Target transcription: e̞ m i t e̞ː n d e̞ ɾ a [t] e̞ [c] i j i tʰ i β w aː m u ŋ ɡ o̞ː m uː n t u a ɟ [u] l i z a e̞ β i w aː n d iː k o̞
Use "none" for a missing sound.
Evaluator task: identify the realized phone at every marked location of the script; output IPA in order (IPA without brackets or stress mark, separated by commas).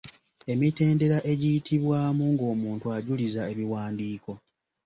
ʔ, ɟ, u